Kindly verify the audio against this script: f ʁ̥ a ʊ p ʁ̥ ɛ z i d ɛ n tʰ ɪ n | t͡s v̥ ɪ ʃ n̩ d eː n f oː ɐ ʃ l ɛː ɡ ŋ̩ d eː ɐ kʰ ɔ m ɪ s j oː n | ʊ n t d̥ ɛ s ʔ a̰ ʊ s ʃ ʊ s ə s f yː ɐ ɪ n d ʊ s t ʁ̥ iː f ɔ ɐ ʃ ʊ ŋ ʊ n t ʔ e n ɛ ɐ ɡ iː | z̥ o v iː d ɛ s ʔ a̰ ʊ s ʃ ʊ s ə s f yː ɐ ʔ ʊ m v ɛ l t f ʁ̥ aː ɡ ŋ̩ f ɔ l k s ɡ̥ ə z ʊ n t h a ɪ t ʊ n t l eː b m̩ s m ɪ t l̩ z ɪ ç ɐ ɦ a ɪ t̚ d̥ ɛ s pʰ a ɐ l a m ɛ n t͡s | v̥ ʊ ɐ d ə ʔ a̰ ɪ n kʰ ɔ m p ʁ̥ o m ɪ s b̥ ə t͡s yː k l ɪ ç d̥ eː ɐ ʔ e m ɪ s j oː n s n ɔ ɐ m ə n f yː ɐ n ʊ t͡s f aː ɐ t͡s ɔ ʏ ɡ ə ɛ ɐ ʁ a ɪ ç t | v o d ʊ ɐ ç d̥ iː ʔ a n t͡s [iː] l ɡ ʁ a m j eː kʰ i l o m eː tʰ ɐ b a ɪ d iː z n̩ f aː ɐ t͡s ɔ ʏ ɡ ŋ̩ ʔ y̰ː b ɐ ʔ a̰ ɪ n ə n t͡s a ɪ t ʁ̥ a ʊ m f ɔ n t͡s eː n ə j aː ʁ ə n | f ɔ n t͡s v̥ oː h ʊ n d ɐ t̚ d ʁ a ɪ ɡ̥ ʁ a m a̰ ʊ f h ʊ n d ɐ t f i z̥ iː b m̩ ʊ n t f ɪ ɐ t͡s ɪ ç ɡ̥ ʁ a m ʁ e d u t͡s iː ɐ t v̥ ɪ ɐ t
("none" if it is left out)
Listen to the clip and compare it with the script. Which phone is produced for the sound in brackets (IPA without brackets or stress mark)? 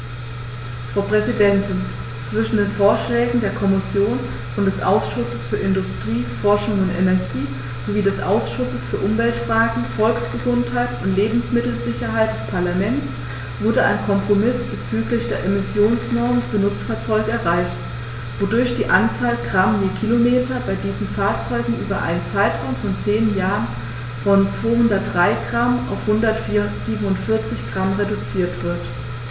aː